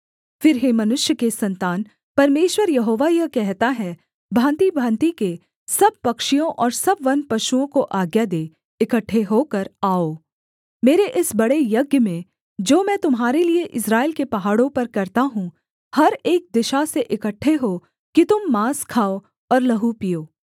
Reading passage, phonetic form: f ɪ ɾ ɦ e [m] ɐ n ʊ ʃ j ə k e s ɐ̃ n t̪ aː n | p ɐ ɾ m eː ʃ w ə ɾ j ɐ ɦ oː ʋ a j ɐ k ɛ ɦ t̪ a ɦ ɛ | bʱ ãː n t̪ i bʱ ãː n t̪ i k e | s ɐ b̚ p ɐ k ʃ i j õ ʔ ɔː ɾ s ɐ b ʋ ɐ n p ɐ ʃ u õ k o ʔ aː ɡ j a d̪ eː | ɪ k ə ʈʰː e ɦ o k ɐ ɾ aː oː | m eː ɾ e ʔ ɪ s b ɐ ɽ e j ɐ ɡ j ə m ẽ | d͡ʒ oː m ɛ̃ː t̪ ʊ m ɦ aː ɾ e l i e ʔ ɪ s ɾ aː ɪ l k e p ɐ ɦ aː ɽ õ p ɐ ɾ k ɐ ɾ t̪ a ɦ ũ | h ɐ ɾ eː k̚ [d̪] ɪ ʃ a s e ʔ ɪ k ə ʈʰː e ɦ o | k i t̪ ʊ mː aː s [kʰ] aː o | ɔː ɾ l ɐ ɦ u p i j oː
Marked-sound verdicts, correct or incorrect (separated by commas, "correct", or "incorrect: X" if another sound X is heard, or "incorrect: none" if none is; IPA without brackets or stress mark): correct, correct, correct